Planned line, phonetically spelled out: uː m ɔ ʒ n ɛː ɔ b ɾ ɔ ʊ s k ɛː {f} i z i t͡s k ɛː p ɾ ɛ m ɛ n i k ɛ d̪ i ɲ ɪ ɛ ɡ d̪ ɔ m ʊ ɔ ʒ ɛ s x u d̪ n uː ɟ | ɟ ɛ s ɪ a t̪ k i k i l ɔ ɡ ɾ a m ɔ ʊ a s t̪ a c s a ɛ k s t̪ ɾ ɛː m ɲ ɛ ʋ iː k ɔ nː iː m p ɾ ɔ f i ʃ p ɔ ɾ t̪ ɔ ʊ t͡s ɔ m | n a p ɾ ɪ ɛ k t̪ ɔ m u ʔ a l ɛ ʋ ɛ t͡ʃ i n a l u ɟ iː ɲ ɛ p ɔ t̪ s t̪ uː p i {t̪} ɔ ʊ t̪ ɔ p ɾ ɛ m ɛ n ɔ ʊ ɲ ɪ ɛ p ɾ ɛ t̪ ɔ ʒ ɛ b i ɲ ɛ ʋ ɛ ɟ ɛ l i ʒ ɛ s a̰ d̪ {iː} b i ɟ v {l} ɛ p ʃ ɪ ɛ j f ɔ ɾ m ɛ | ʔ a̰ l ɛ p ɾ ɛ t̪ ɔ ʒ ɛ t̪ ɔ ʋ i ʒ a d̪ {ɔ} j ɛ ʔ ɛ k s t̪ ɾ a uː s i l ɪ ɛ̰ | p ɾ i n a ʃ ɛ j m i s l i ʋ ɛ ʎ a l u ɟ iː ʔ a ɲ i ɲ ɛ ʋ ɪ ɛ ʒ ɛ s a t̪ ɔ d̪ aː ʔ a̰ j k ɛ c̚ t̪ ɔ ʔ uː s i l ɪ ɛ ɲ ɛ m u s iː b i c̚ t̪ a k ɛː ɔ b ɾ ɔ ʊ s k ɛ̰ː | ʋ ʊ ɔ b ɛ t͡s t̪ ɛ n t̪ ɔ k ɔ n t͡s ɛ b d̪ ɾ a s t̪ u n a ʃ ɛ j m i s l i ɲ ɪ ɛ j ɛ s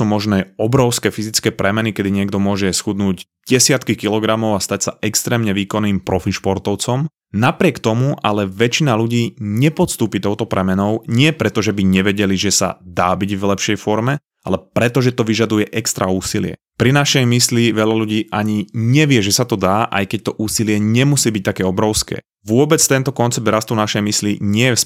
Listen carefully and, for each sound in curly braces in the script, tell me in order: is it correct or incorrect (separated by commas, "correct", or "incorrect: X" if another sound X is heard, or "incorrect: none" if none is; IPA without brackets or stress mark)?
correct, correct, incorrect: aː, correct, incorrect: u